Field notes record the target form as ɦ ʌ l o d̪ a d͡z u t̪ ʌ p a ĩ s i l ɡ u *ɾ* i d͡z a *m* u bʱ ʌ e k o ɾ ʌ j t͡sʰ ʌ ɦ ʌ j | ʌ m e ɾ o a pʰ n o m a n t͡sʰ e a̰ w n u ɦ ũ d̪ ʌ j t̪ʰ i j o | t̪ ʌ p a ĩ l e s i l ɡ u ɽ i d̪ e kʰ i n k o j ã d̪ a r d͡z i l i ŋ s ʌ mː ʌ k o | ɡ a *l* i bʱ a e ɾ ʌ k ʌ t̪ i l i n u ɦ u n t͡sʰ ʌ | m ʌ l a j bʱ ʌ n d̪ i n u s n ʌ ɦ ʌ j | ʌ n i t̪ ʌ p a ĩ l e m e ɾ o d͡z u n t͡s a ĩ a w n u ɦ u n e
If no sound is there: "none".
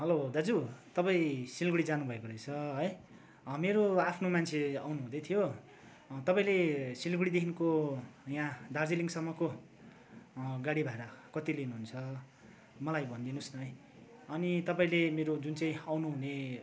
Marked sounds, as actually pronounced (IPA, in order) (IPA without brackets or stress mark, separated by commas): ɽ, n, ɽ